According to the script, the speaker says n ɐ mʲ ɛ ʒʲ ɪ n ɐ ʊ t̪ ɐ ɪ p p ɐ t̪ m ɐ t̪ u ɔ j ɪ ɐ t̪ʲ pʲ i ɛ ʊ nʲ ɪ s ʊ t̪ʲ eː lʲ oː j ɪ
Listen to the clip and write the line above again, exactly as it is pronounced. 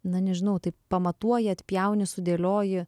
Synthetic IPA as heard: n ɐ nʲ ɛ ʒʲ ɪ n ɐ ʊ t̪ ɐ ɪ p p ɐ m ɐ t̪ u ɔ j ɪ ɐ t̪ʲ pʲ j ɛ ʊ nʲ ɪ s ʊ d̪ʲ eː lʲ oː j ɪ

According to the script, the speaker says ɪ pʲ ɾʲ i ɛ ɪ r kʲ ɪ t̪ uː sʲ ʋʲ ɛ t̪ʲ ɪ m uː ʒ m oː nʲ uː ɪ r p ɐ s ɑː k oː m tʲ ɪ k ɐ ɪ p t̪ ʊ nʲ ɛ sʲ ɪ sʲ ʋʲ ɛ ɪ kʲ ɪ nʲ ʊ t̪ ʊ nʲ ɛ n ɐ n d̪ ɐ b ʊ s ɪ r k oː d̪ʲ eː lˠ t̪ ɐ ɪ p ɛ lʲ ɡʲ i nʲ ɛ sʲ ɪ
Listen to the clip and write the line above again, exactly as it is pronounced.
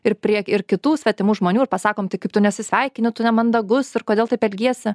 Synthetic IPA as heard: ɪ pʲ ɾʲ i ɛ ɪ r kʲ ɪ t̪ uː sʲ ʋʲ ɛ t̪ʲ ɪ m uː ʒ m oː nʲ uː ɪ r p ɐ s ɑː k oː m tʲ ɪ k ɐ ɪ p t̪ ʊ nʲ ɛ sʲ ɪ sʲ ʋʲ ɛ ɪ kʲ ɪ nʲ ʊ t̪ ʊ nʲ ɛ m ɐ n d̪ ɐ ɡ ʊ s ɪ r k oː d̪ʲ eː lˠ t̪ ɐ ɪ p ɛ lʲ ɡʲ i ɛ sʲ ɪ

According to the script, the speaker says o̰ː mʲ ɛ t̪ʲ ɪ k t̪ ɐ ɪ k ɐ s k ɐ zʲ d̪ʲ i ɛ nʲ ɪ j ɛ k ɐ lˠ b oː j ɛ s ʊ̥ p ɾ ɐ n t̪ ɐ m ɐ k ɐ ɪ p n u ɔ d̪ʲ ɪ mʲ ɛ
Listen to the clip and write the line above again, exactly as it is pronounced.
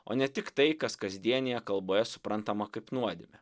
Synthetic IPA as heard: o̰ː nʲ ɛ t̪ʲ ɪ k t̪ ɐ ɪ k ɐ s k ɐ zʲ d̪ʲ i ɛ nʲ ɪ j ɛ k ɐ lˠ b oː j ɛ s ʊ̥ p ɾ ɐ n t̪ ɐ m ɐ k ɐ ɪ p n u ɔ d̪ʲ ɪ mʲ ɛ

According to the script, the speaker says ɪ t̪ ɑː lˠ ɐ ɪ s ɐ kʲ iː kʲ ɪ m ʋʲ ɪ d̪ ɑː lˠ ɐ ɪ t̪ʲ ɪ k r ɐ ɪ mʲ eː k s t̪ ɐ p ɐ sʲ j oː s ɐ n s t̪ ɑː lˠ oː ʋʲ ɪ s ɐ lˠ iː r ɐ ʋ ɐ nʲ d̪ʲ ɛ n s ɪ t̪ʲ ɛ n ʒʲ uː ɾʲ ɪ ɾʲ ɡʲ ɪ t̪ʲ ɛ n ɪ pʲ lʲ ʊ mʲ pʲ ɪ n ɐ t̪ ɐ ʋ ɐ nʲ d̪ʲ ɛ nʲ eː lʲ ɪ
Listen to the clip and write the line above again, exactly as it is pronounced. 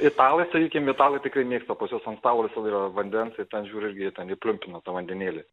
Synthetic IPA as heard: ɪ t̪ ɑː lˠ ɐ ɪ s ɐ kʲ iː kʲ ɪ m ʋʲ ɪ t̪ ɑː lˠ ɐ ɪ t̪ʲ ɪ k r ɐ ɪ mʲ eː k s t̪ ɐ p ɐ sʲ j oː s ɐ n s t̪ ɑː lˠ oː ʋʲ ɪ s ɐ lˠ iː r ɐ ʋ ɐ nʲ d̪ʲ ɛ n s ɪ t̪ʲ ɛ n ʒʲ uː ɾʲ ɪ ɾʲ ɡʲ ɪ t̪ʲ ɛ n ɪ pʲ lʲ ʊ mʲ pʲ ɪ n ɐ t̪ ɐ ʋ ɐ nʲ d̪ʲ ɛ nʲ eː lʲ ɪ

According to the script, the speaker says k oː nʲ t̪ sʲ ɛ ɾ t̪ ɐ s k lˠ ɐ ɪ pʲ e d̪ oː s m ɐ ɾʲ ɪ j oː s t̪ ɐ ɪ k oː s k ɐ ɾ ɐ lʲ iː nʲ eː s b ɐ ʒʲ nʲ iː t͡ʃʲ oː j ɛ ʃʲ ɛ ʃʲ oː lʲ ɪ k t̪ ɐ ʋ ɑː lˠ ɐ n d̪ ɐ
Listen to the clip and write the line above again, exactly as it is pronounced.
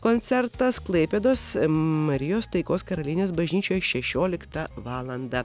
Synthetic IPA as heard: k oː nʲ t̪ sʲ ɛ ɾ t̪ ɐ s k lˠ ɐ ɪ pʲ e d̪ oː s m ɐ ɾʲ ɪ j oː s t̪ ɐ ɪ k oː s k ɐ ɾ ɐ lʲ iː nʲ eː s b ɐ ʒʲ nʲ iː t͡ʃʲ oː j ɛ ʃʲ ɛ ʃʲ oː lʲ ɪ k t̪ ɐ ʋ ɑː lˠ ɐ n d̪ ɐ

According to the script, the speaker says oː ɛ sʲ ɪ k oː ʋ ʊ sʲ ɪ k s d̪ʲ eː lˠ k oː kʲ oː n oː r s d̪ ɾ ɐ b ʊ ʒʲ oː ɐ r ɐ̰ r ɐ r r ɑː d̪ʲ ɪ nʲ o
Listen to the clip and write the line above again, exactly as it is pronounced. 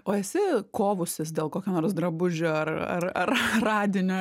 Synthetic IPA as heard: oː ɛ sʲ ɪ k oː ʋ ʊ sʲ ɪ s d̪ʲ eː lˠ k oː kʲ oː n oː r s d̪ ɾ ɐ b ʊ ʒʲ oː ɐ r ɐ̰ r ɐ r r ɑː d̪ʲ ɪ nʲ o

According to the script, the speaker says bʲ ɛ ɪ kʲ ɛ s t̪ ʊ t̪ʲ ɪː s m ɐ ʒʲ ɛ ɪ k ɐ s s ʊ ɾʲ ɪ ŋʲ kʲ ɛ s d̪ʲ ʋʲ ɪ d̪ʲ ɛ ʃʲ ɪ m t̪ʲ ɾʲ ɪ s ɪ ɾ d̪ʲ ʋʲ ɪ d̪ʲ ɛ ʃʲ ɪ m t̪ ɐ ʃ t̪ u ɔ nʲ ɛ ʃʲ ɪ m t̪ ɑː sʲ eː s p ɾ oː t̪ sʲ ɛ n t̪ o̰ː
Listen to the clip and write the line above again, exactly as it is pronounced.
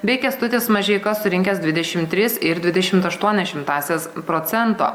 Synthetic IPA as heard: bʲ ɛ ɪ kʲ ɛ s t̪ ʊ t̪ʲ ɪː s m ɐ ʒʲ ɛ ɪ k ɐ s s ʊ ɾʲ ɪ ŋʲ kʲ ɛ s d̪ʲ ʋʲ ɪ d̪ʲ ɛ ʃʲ ɪ m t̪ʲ ɾʲ ɪ s ɪ ɾ d̪ʲ ʋʲ ɪ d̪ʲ ɛ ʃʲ ɪ m t̪ ɐ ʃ t̪ u ɔ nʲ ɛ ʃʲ ɪ m t̪ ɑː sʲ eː s p ɾ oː t̪ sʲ ɛ n t̪ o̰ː

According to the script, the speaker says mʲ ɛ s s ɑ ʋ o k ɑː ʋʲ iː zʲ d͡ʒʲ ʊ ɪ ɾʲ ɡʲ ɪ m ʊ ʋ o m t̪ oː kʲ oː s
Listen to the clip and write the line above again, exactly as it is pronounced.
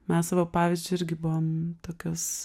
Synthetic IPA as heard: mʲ ɛ s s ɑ ʋ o p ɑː ʋʲ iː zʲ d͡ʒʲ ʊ ɪ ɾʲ ɡʲ ɪ b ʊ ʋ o m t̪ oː kʲ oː s

